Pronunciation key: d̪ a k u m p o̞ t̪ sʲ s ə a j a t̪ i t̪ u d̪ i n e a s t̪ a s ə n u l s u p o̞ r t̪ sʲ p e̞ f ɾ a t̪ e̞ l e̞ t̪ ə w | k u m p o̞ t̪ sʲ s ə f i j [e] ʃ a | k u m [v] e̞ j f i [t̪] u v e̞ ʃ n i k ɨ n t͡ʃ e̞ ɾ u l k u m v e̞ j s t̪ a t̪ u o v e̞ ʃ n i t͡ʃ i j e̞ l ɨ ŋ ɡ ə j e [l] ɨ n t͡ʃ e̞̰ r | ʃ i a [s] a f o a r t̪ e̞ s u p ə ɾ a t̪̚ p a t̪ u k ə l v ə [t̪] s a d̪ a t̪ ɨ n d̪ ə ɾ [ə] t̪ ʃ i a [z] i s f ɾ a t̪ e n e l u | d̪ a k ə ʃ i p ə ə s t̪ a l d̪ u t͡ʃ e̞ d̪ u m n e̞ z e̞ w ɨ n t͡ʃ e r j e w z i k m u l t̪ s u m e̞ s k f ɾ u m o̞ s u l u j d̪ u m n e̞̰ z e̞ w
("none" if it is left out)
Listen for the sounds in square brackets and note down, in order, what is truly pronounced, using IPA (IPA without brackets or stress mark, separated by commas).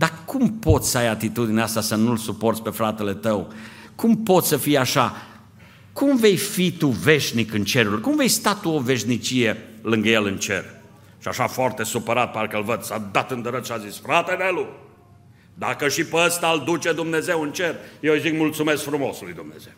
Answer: a, v, t̪, l, ʃ, d̪, ə, z